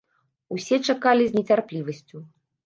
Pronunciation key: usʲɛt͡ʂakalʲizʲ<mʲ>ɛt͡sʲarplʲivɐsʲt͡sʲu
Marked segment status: incorrect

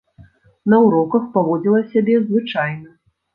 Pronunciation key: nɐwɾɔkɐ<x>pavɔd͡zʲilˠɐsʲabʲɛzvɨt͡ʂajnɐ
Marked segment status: correct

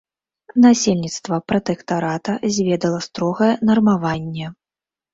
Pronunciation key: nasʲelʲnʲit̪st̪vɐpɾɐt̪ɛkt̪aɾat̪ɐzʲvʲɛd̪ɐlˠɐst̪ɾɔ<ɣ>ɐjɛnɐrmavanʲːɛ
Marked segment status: correct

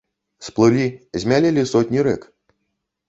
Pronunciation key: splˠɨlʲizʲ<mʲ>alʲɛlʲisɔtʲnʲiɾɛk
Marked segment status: correct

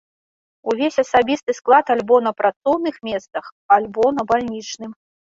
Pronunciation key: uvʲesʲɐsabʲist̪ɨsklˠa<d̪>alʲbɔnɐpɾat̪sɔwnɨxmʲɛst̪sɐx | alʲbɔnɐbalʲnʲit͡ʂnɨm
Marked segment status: incorrect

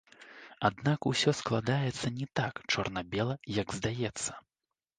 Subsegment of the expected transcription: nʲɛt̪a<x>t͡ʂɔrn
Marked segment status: incorrect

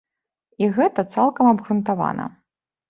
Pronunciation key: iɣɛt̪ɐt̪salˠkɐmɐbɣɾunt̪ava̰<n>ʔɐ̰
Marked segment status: correct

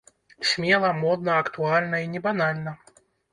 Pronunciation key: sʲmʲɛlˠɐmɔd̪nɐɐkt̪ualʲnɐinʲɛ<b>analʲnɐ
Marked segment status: correct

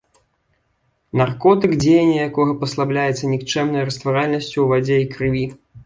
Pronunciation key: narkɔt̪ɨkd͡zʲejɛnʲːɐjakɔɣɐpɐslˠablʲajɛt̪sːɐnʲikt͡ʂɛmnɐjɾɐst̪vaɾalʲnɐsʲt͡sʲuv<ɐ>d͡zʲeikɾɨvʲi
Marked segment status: incorrect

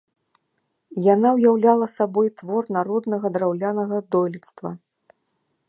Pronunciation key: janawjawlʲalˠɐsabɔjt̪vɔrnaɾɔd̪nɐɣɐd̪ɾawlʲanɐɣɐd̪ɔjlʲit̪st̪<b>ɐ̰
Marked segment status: incorrect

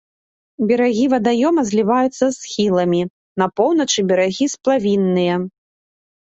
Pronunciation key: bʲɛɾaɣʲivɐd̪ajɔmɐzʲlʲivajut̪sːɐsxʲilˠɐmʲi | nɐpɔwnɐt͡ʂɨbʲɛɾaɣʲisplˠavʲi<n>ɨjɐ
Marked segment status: incorrect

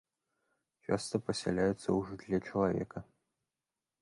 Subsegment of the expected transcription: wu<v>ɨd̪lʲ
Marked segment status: incorrect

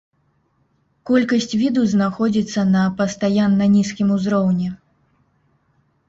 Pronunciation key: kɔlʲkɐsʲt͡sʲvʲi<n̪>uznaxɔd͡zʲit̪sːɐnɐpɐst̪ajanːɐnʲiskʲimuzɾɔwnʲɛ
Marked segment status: incorrect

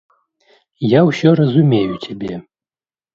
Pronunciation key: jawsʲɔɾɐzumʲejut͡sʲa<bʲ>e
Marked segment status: correct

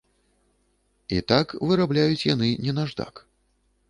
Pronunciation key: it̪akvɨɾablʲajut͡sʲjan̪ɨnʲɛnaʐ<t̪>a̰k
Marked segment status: incorrect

